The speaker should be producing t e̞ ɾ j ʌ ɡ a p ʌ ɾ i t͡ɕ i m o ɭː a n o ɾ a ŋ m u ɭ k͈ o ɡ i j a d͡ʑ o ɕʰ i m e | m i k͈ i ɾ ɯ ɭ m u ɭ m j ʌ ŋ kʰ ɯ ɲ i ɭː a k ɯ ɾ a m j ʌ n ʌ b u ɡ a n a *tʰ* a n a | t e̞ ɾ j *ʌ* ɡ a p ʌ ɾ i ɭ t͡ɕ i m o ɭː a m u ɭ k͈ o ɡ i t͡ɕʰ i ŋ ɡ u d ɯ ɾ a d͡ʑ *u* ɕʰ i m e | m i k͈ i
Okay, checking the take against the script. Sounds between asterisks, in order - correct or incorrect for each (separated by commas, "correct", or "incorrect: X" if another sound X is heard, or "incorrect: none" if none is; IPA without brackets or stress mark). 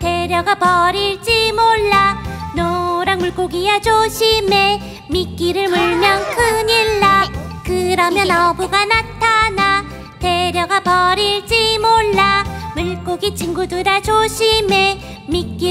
correct, correct, incorrect: o